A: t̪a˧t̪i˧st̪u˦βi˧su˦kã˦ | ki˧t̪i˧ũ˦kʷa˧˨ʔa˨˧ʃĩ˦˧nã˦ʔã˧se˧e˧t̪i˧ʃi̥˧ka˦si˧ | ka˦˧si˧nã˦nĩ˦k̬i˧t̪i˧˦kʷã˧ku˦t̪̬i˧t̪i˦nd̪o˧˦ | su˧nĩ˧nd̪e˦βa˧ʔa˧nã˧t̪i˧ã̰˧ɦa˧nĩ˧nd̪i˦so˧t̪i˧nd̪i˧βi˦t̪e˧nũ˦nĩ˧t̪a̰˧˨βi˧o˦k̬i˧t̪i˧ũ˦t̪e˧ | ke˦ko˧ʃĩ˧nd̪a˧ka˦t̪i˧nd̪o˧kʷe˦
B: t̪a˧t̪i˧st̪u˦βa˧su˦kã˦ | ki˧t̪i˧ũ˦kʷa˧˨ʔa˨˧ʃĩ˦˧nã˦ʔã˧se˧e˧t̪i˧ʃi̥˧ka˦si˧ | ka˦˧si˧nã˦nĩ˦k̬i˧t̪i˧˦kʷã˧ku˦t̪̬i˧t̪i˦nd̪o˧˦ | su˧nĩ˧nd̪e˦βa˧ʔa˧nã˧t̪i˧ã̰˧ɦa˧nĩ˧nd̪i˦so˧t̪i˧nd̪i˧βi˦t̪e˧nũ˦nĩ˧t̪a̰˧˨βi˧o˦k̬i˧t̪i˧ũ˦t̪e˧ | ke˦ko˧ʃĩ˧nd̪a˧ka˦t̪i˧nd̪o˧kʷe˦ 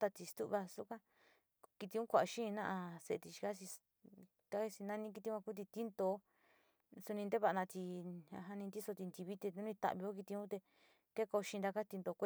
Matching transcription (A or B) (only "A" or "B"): B